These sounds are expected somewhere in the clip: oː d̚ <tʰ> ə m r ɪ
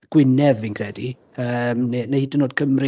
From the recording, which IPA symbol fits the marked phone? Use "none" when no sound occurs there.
kʰ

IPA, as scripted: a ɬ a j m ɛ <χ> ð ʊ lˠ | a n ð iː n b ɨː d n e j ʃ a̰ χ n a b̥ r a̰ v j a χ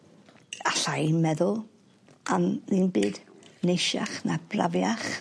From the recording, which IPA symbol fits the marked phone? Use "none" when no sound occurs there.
none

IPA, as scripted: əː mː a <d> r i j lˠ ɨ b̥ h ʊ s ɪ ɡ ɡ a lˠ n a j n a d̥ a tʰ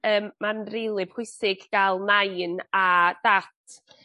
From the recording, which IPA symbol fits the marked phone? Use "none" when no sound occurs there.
n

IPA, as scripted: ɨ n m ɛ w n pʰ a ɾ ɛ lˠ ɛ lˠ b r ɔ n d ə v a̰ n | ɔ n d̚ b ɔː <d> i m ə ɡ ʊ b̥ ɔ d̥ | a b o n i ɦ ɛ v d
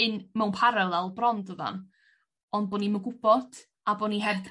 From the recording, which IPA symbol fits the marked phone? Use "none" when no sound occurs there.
n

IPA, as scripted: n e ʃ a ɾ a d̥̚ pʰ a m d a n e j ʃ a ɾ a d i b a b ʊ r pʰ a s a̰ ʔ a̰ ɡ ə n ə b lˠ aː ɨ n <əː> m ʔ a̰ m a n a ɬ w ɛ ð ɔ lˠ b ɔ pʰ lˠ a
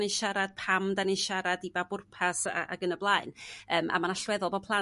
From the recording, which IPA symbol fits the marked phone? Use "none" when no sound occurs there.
əː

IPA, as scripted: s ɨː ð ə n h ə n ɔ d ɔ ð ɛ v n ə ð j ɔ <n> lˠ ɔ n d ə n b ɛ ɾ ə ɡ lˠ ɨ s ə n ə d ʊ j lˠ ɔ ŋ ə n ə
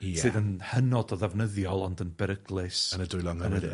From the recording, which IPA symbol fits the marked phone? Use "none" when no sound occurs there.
none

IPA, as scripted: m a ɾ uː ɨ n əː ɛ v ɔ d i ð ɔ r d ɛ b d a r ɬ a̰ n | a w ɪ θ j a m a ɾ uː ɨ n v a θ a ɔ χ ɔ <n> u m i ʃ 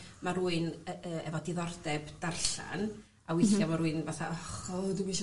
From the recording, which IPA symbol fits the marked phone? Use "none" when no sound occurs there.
d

